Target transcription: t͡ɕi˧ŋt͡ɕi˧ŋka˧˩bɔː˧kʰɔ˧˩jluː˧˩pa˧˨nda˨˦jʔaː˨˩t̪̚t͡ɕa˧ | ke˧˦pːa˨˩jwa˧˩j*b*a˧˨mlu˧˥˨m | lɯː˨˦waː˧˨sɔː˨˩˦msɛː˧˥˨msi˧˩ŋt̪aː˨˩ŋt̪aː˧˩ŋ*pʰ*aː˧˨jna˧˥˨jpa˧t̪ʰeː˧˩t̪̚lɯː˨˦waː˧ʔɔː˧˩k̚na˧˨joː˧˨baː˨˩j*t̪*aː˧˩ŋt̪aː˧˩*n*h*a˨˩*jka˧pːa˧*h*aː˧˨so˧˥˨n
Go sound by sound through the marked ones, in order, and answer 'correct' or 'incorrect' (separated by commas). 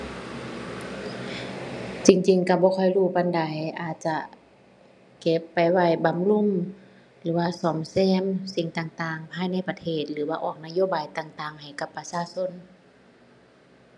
correct, correct, correct, incorrect, correct, incorrect